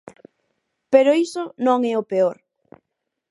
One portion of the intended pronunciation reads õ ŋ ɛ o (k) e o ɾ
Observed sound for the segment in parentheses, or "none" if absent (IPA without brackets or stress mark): p